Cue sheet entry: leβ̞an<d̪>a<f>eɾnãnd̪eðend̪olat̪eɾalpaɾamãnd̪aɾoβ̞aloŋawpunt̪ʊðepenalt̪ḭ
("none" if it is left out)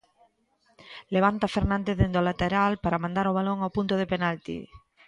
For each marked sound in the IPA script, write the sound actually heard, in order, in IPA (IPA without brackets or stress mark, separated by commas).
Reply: t̪, f